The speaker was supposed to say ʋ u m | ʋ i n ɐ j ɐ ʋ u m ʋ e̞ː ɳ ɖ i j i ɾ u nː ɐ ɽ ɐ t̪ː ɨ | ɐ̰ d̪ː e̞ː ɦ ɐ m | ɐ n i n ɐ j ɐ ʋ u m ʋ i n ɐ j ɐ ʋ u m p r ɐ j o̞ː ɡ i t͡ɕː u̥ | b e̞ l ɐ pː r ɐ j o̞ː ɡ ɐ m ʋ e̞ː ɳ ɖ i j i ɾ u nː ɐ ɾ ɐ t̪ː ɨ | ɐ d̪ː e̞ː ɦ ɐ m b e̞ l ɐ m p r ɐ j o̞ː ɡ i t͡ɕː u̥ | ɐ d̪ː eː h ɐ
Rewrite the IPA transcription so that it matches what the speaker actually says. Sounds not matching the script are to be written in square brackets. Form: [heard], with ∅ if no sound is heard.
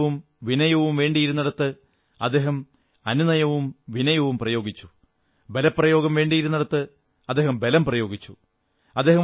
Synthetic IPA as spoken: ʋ u m | ʋ i n ɐ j ɐ ʋ u m ʋ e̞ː ɳ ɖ i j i ɾ u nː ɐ ɽ ɐ t̪ː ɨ | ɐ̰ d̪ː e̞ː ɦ ɐ m | ɐ n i n ɐ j ɐ ʋ u m ʋ i n ɐ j ɐ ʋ u m p r ɐ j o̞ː ɡ i t͡ɕː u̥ | b e̞ l ɐ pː r ɐ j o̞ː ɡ ɐ m ʋ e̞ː ɳ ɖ i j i ɾ u nː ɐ [ɽ] ɐ t̪ː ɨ | ɐ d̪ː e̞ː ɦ ɐ m b e̞ l ɐ m p r ɐ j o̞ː ɡ i t͡ɕː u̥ | ɐ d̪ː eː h ɐ